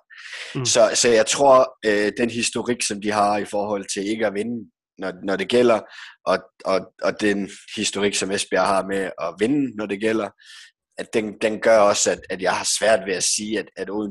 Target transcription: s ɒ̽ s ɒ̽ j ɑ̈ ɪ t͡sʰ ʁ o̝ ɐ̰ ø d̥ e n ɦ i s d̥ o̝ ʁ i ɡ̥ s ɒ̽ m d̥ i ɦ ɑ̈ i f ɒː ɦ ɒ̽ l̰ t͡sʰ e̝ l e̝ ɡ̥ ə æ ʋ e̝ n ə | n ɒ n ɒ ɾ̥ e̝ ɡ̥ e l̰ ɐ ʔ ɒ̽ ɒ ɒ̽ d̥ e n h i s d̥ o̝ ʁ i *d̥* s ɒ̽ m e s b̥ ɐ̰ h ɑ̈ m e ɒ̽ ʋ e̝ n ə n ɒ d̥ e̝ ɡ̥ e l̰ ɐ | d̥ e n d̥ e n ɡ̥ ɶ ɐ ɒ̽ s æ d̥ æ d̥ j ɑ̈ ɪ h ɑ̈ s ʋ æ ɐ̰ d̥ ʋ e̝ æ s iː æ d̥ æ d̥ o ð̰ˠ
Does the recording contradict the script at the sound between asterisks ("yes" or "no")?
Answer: yes